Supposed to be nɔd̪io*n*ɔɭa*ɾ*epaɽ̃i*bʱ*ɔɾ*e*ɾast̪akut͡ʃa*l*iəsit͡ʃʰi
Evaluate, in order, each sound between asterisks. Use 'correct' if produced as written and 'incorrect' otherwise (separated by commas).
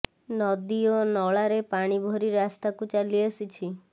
correct, correct, correct, incorrect, correct